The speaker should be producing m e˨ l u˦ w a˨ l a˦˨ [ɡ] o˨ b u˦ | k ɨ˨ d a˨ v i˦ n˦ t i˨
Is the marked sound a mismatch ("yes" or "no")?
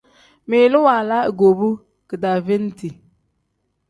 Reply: no